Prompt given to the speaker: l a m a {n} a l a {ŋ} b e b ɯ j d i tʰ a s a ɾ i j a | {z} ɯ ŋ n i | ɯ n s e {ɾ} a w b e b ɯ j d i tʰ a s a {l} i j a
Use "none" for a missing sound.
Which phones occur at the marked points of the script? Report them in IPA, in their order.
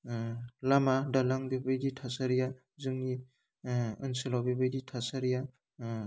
d, ŋ, z, l, ɾ

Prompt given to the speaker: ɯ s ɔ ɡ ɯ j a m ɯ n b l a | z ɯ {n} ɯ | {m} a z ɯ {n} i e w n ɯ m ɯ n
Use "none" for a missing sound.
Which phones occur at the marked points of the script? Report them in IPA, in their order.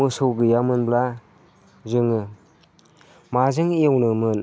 ŋ, m, ŋ

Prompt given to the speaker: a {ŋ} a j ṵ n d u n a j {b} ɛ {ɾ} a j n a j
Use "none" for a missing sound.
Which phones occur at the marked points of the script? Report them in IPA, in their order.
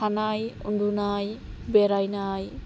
n, b, ɾ

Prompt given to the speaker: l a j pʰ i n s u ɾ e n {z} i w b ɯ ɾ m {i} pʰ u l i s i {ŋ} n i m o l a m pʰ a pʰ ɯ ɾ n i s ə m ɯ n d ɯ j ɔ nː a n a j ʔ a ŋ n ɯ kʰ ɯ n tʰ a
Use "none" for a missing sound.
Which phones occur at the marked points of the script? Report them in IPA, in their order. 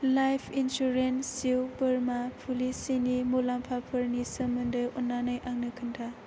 s, a, none

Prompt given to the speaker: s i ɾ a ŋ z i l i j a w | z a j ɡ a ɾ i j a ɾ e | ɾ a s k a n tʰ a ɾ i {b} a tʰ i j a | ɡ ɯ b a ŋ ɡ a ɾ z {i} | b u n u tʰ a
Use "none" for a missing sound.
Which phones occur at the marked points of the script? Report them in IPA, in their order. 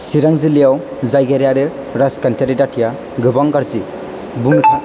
d, i

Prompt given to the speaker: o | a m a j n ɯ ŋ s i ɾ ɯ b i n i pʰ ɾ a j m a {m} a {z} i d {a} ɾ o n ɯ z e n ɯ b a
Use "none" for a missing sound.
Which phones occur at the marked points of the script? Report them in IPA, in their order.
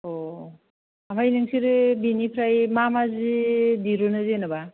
m, z, i

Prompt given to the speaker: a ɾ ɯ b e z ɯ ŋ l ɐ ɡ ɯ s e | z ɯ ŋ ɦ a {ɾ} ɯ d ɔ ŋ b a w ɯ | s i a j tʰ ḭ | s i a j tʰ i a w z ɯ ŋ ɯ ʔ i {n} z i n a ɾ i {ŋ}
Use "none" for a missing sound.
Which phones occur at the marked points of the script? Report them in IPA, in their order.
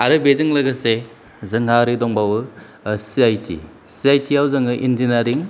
ɾ, n, ŋ

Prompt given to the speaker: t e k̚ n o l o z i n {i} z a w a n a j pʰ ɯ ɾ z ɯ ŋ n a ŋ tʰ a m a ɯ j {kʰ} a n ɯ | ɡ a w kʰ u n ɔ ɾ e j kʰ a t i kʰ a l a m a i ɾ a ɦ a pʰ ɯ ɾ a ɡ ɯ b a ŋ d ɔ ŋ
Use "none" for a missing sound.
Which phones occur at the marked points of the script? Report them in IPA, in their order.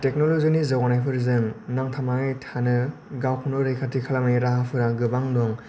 i, tʰ

